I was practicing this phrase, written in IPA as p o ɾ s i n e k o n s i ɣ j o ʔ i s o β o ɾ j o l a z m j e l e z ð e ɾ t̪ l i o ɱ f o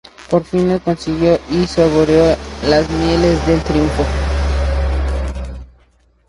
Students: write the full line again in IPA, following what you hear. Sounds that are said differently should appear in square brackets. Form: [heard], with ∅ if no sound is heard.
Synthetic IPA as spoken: p o ɾ [f] i n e k o n s i ɣ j o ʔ i s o β o ɾ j o l a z m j e l e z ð e [l] t̪ [ɾ] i [u] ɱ f o